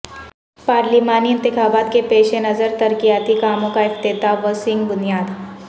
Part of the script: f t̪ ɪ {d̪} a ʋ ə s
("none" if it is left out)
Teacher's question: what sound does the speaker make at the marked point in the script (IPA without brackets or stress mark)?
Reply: t̪